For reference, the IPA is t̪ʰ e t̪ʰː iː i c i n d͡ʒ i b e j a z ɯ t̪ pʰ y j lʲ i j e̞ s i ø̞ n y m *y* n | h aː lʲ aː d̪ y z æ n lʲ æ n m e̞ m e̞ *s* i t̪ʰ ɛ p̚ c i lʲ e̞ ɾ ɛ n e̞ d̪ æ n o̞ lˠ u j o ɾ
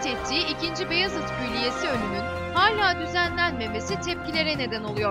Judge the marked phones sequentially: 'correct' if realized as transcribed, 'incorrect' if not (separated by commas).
correct, correct